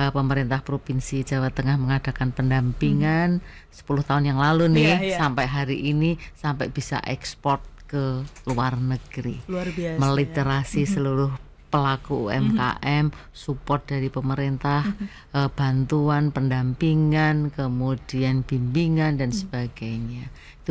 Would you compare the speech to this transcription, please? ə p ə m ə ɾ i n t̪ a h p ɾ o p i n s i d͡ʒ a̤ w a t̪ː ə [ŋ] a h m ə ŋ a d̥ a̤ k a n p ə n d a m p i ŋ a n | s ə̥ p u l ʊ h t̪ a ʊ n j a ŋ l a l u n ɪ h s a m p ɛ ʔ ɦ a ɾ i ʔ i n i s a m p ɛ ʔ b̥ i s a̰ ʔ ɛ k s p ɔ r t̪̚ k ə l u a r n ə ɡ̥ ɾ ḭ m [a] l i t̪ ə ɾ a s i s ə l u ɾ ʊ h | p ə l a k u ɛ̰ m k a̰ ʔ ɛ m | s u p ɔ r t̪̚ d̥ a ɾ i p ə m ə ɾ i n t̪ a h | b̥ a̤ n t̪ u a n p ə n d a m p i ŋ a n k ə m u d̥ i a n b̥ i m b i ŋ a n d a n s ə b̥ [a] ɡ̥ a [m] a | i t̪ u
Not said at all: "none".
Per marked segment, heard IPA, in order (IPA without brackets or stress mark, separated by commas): ŋ, ə, a, ɲ